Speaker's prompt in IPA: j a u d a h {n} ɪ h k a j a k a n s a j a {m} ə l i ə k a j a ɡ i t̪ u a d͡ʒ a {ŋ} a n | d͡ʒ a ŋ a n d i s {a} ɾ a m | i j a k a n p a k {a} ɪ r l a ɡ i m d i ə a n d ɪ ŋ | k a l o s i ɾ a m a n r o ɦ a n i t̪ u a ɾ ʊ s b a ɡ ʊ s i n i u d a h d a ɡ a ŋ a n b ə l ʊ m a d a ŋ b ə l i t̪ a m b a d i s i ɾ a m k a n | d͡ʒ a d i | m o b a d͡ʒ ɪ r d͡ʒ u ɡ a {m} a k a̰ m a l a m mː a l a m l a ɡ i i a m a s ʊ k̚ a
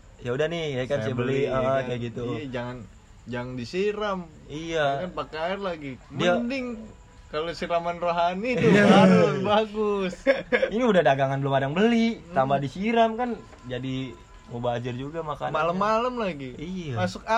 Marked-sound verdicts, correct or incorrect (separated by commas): correct, incorrect, correct, incorrect, correct, correct